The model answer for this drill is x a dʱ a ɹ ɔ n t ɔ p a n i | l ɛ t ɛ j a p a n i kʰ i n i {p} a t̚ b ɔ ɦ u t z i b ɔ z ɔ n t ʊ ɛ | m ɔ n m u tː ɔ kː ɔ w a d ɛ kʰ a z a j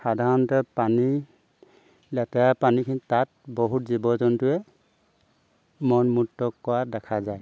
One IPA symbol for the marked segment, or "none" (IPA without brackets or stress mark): t